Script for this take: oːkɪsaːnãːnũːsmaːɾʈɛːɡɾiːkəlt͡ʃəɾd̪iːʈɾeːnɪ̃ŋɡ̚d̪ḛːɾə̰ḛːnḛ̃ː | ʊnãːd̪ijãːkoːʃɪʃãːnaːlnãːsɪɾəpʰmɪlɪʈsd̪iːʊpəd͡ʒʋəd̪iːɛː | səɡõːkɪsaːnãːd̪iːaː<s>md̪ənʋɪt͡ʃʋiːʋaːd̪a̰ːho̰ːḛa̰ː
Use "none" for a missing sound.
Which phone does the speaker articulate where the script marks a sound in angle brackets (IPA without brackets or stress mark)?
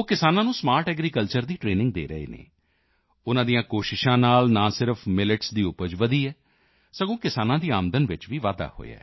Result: none